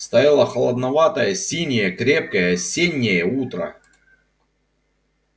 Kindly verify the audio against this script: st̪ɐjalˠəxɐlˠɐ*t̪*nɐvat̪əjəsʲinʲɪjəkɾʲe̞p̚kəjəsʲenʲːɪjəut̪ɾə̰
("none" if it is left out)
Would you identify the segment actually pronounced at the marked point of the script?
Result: d̪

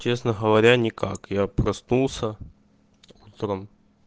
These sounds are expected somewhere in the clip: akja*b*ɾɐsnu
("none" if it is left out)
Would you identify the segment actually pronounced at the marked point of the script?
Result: p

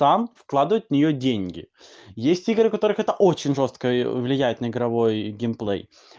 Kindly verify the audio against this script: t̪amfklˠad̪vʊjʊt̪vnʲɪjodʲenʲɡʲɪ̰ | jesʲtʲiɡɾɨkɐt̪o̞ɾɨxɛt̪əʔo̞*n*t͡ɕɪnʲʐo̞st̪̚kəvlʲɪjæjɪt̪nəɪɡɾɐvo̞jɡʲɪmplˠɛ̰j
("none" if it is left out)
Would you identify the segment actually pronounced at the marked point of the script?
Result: none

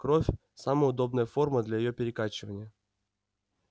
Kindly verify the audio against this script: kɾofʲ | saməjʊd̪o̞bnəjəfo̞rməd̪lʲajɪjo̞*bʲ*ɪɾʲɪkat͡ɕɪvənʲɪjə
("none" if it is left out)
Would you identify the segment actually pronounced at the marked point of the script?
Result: pʲ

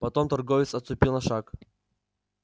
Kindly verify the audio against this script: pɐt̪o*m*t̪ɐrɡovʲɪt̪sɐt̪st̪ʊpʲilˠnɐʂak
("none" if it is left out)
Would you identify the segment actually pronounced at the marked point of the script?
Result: m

